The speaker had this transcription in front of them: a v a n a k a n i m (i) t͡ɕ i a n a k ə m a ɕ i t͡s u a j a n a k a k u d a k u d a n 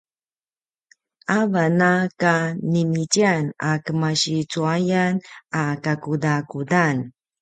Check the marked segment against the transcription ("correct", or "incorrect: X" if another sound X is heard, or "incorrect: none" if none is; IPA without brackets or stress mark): correct